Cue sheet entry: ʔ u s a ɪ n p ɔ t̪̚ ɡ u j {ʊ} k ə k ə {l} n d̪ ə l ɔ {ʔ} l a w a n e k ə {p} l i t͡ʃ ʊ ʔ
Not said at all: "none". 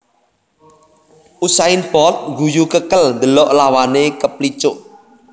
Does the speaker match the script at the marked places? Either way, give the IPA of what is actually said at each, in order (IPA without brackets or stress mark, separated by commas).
u, l, ʔ, p